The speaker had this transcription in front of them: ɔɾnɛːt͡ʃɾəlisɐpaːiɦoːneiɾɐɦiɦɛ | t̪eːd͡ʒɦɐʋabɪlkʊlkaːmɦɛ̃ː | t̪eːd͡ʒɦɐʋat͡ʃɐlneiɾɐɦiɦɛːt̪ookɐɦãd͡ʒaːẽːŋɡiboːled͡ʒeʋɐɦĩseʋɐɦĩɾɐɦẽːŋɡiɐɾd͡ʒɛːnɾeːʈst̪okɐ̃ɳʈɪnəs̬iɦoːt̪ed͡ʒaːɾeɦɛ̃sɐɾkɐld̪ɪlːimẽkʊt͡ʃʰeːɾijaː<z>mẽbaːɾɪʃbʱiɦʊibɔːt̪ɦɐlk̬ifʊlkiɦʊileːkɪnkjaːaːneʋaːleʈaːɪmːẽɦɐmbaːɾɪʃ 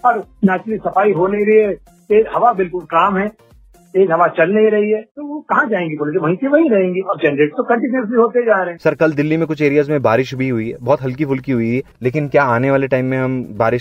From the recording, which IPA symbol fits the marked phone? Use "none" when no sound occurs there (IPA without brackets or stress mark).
z